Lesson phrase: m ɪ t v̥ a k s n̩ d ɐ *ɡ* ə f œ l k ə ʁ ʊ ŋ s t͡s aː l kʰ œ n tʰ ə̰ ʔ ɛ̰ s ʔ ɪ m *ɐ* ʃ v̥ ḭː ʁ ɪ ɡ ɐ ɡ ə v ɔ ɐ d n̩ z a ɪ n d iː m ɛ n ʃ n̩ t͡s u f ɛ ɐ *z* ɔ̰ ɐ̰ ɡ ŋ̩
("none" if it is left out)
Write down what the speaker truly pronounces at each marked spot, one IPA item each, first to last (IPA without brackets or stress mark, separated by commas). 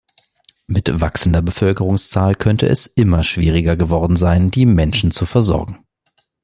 b, ɐ, z